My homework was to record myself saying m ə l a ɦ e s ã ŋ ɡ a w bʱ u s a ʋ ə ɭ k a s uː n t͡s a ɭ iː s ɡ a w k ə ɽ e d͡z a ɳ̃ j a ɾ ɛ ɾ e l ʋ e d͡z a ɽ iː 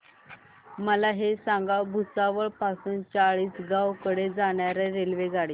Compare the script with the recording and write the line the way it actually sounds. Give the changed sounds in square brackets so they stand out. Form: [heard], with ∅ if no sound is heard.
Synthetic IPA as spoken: m ə l a ɦ e s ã ŋ ɡ a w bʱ u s a ʋ ə ɭ [p] a s uː n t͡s a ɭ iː s ɡ a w k ə ɽ e d͡z a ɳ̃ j a ɾ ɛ ɾ e l ʋ e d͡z a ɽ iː